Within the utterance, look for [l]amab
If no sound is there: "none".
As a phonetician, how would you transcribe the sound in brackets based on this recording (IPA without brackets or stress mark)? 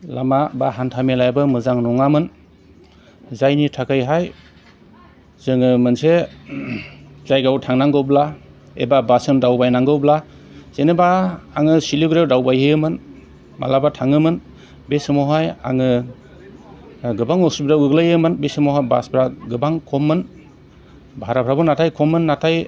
l